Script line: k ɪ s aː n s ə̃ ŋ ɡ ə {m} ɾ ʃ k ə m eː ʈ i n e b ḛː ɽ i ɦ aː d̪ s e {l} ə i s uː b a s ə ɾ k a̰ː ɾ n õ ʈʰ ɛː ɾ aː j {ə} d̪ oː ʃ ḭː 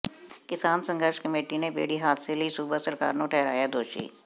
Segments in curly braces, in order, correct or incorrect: incorrect: none, correct, incorrect: a

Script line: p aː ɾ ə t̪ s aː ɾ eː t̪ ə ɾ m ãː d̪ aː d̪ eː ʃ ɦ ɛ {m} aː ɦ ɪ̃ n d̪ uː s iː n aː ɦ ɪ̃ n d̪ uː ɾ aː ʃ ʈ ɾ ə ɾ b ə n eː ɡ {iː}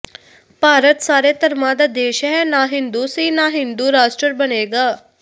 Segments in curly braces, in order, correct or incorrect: incorrect: n, incorrect: aː

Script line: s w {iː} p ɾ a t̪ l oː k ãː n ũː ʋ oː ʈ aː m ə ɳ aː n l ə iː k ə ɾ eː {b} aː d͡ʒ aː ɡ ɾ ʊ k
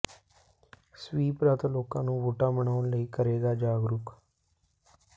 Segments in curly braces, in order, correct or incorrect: correct, incorrect: ɡ

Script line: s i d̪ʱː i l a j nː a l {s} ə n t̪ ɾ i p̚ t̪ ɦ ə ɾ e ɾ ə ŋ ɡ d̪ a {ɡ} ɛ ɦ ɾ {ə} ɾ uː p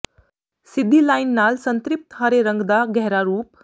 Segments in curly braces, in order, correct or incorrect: correct, correct, incorrect: a

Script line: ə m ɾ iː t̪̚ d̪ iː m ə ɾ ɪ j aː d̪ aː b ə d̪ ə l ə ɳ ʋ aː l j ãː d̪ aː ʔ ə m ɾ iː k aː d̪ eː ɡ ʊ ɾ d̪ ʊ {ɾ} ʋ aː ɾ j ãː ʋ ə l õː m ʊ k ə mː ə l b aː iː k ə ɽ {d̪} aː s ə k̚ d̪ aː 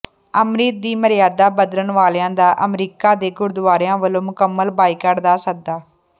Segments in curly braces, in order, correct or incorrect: incorrect: none, correct

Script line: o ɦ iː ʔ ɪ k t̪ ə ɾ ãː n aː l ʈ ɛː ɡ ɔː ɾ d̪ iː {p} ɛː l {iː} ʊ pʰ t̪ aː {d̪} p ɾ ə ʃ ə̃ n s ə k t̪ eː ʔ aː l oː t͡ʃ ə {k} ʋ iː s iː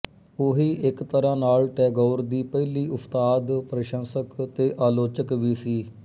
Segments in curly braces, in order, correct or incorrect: correct, correct, correct, correct

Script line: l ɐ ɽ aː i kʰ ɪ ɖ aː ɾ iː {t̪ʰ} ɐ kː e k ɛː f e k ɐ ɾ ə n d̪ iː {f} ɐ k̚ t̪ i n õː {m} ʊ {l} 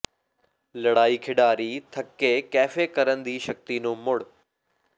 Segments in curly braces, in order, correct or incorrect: correct, incorrect: ʃ, correct, incorrect: ɽ

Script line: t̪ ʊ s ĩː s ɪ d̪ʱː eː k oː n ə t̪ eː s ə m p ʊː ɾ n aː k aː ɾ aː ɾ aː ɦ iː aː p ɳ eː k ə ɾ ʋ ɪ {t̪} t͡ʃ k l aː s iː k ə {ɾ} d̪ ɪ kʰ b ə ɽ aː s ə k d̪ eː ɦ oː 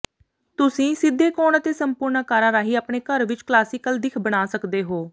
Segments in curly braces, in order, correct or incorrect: incorrect: none, incorrect: l

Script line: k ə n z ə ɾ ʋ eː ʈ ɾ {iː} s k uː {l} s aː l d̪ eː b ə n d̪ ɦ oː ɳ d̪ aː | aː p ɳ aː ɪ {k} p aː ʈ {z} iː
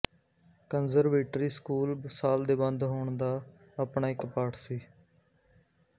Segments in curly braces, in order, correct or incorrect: correct, correct, correct, incorrect: s

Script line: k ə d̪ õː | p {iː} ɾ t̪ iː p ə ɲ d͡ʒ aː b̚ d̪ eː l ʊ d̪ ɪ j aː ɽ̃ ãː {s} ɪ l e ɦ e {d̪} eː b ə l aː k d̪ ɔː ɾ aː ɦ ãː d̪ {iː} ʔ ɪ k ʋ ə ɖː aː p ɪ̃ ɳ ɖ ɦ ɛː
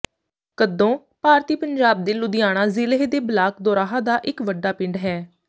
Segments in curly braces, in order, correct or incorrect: incorrect: aː, incorrect: z, correct, incorrect: aː

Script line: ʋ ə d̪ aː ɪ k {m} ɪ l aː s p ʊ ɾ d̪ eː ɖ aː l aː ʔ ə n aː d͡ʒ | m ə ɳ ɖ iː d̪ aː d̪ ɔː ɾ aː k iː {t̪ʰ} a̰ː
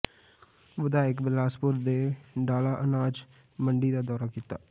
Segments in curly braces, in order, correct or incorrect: incorrect: b, incorrect: t̪

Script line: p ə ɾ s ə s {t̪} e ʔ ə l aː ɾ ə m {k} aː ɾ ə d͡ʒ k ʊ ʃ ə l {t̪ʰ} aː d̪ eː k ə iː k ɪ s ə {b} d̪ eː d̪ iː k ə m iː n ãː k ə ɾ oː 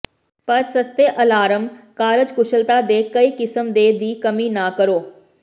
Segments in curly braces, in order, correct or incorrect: correct, correct, incorrect: t̪, incorrect: m

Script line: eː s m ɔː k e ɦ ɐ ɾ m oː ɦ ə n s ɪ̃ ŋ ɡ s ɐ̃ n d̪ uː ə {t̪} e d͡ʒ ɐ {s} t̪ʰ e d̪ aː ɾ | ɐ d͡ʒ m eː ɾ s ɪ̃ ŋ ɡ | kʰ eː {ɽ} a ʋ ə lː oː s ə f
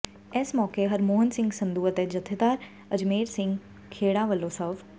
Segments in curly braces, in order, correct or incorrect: correct, incorrect: none, correct

